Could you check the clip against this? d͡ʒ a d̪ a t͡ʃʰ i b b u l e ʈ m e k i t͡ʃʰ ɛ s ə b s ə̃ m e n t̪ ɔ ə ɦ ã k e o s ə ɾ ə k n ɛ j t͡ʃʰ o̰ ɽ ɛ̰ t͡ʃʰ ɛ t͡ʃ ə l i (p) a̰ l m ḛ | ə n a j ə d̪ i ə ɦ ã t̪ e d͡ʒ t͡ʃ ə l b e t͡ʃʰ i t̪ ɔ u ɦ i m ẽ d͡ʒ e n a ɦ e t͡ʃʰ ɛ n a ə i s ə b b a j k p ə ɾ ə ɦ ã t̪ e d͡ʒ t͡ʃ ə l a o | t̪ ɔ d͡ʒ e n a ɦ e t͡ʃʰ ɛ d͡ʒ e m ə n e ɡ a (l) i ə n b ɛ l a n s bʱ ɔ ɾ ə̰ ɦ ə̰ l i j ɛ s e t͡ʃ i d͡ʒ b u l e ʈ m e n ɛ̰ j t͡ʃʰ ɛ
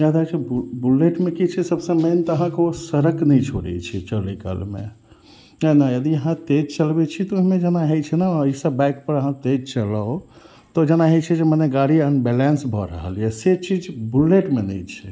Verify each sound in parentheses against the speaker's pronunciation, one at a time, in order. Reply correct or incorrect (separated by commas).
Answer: incorrect, incorrect